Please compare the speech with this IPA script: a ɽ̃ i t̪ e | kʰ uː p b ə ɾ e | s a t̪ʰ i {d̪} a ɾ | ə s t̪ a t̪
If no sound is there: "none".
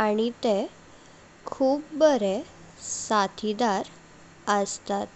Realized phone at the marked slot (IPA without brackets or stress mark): d̪